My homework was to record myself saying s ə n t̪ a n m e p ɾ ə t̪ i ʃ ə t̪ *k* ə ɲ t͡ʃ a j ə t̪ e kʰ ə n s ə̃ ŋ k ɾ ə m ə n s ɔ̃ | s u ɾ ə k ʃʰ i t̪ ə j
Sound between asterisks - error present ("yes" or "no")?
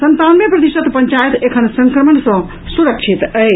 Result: yes